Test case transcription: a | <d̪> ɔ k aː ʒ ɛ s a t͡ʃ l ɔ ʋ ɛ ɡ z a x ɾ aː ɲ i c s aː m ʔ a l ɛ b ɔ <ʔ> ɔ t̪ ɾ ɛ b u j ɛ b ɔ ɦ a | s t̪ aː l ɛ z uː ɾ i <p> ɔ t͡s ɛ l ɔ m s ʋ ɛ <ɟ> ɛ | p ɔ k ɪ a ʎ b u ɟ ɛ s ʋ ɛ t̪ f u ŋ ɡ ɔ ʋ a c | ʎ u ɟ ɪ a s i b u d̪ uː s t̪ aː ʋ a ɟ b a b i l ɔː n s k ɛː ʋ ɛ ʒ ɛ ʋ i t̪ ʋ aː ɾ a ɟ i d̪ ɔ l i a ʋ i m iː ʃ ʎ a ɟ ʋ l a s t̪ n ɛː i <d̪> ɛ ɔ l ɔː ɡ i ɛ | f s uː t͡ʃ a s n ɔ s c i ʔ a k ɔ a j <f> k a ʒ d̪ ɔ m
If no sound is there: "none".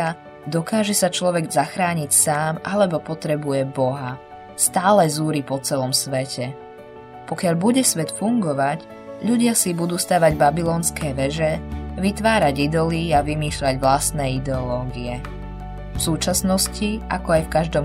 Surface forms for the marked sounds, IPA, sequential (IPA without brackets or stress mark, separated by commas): d̪, p, p, c, d̪, f